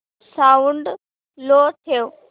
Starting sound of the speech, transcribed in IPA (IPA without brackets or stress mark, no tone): s